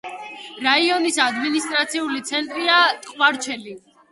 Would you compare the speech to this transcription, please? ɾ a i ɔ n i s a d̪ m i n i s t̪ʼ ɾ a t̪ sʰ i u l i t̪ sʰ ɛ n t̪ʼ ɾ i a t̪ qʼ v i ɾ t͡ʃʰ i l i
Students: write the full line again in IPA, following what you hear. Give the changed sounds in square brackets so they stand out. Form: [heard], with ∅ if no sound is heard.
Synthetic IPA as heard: ɾ a i ɔ n i s a d̪ m i n i s t̪ʼ ɾ a t̪ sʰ i u l i t̪ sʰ ɛ n t̪ʼ ɾ i a [t̪ʼ] qʼ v [a] ɾ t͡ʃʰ [ɛ] l i